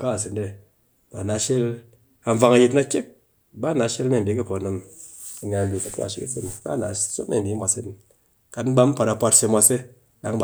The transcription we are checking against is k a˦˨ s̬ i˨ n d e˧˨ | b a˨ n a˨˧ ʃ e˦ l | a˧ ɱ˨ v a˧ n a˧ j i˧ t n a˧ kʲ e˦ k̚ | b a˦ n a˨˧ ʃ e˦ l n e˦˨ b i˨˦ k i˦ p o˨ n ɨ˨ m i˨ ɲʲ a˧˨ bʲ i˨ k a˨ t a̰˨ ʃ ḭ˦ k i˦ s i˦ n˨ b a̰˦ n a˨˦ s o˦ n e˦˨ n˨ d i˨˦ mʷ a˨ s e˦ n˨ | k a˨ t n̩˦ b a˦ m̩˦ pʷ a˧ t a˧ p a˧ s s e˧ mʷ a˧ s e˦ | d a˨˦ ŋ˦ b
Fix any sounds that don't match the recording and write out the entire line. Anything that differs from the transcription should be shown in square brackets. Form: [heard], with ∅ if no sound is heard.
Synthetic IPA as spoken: k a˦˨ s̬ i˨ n d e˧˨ | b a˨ n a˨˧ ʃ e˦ l | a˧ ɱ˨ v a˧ [ŋ] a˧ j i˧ t n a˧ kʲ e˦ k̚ | b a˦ n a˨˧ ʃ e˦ l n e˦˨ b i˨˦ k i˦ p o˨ n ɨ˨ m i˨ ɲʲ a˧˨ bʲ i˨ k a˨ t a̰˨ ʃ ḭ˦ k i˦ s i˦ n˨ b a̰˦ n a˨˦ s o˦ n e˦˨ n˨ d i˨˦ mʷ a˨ s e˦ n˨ | k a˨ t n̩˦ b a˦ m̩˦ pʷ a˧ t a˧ p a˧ [t] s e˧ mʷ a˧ s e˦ | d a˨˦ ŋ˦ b

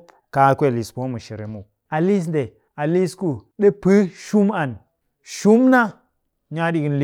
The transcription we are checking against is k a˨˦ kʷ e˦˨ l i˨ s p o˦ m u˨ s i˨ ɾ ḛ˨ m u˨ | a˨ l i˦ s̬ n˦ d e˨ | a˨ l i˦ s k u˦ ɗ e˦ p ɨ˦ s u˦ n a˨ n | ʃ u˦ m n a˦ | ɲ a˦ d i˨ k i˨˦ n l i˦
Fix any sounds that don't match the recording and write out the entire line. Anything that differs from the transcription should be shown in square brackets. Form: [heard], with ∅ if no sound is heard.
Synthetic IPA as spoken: k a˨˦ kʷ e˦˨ l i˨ s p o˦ m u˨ [ʃ] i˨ ɾ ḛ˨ m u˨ | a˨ l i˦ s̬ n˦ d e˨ | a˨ l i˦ s k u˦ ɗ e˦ p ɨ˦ [ʃ] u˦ [m] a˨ n | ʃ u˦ m n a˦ | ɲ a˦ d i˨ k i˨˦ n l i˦

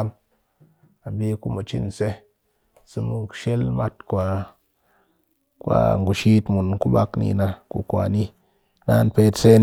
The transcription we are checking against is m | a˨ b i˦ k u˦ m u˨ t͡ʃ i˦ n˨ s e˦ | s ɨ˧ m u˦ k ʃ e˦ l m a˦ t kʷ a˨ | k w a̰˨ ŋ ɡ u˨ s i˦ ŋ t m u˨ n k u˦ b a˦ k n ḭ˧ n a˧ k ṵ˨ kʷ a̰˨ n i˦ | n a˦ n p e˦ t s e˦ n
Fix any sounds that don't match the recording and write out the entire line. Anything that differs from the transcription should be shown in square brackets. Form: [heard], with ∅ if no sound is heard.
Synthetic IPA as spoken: m | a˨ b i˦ k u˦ m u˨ t͡ʃ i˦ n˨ s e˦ | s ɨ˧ m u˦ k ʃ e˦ l m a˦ t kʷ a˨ | k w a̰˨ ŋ ɡ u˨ [ʃ] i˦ [∅] t m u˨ n k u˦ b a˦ k n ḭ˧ n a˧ k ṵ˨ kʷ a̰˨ n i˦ | n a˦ n p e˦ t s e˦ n

